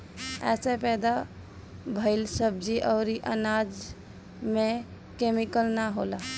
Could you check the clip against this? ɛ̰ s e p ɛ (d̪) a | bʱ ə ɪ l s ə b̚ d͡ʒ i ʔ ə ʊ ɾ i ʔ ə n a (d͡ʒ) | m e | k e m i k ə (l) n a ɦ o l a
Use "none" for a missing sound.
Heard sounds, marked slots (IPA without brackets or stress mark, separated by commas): d̪, d͡ʒ, l